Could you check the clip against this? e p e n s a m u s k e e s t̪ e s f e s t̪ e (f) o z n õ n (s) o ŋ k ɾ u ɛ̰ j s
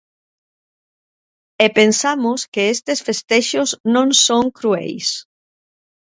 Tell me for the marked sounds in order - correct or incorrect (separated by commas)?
incorrect, correct